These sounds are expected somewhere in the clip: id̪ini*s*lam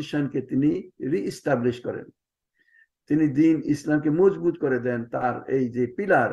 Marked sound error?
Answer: no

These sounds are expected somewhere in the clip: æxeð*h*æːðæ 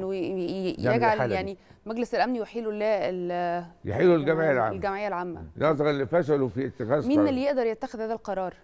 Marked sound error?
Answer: no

